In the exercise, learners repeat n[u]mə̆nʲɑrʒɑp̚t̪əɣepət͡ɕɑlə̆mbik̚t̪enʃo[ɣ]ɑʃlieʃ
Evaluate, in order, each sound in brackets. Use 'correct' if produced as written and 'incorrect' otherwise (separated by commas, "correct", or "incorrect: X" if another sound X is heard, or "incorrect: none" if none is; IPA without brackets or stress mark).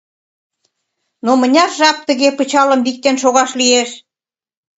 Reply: incorrect: o, correct